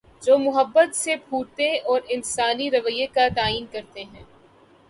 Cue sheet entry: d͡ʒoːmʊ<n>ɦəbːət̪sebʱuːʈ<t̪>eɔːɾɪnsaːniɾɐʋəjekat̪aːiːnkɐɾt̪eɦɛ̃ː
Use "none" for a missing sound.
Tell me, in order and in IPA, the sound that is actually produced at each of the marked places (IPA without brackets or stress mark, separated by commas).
none, t̪